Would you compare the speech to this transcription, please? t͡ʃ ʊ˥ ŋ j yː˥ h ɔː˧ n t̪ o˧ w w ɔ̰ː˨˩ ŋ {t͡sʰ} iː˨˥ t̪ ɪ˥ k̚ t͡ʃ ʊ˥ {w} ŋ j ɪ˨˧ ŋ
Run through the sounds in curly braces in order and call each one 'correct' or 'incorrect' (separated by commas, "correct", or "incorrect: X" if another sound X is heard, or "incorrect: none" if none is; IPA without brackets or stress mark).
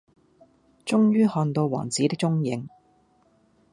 incorrect: t͡s, incorrect: none